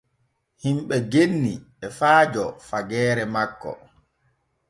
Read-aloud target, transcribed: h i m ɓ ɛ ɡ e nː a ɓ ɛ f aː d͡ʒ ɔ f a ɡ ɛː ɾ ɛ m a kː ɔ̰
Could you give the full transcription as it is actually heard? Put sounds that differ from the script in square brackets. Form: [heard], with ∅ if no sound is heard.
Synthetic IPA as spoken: h i m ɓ ɛ ɡ e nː [i] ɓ ɛ f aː d͡ʒ ɔ f a ɡ ɛː ɾ ɛ m a kː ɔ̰